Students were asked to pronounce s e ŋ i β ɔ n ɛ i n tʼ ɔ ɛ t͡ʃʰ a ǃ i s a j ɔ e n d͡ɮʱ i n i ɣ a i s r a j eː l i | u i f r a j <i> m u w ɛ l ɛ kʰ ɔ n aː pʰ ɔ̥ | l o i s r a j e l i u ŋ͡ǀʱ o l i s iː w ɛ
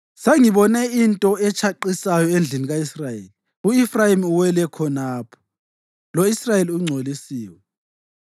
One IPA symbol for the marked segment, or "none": i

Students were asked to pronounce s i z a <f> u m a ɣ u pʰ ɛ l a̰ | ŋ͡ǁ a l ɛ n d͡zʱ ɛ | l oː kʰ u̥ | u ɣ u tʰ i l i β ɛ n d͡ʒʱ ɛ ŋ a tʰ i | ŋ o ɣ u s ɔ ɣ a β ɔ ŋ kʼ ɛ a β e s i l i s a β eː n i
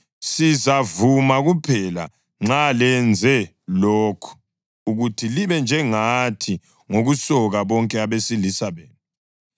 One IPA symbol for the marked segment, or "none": v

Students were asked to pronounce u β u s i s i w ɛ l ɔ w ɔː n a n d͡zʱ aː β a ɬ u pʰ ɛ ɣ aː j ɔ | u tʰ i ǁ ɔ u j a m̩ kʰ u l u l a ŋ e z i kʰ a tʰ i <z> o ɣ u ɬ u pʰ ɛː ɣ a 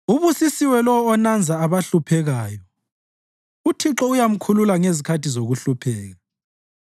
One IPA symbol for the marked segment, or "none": z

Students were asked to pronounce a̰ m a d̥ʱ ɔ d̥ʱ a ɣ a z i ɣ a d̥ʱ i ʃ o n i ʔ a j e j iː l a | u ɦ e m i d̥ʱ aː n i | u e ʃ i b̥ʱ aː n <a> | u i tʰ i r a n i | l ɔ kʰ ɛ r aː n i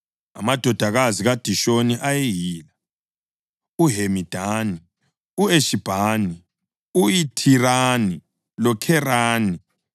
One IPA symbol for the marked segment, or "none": i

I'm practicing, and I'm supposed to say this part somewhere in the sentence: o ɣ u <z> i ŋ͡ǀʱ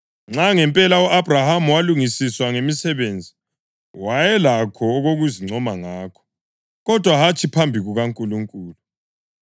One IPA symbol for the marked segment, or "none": z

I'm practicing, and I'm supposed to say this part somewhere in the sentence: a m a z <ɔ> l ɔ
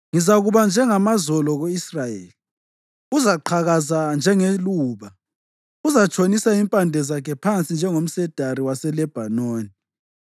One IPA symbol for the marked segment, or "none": ɔ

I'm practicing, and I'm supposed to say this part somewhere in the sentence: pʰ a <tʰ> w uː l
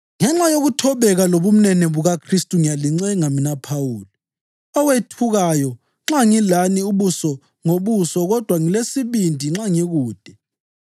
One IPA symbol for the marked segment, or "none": none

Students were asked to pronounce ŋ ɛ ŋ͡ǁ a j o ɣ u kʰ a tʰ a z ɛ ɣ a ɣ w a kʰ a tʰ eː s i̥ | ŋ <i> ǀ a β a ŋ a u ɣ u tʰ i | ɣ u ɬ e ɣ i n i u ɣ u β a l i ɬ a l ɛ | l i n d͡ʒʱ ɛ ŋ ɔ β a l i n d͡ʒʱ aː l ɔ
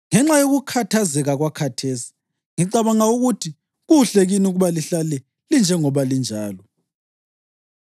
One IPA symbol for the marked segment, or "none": i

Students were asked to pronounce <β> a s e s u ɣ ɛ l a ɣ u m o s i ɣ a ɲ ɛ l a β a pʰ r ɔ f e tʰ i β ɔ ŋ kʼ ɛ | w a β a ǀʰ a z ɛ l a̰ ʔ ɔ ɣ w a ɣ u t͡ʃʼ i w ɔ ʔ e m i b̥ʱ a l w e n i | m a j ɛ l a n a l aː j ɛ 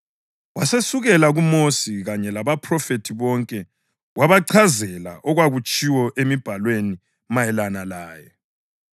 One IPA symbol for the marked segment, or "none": w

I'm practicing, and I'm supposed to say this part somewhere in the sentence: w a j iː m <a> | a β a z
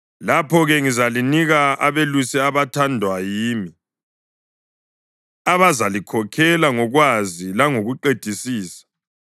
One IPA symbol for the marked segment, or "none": i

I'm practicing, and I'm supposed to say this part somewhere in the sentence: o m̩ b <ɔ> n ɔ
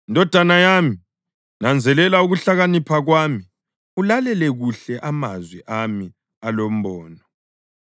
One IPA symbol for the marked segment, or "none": ɔː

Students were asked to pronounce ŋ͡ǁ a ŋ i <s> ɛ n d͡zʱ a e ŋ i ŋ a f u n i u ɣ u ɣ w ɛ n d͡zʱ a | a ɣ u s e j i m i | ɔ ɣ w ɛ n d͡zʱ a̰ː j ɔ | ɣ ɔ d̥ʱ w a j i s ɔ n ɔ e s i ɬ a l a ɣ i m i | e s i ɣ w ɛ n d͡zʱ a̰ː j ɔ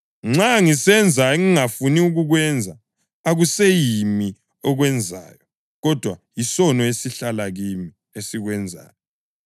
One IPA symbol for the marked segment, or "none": s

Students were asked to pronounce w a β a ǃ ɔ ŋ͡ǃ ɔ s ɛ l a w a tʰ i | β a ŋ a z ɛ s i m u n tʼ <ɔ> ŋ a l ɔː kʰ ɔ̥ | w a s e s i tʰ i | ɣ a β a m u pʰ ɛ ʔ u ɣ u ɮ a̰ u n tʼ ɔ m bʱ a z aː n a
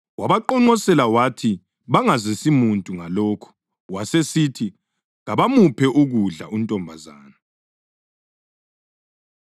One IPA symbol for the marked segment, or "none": u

